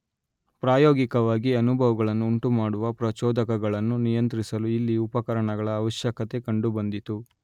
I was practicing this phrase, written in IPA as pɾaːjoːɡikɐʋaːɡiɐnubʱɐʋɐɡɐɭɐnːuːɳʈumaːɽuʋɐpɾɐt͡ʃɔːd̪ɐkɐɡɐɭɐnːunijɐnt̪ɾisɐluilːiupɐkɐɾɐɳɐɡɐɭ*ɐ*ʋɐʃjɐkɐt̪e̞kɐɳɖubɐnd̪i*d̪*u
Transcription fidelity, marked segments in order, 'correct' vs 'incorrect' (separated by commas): incorrect, incorrect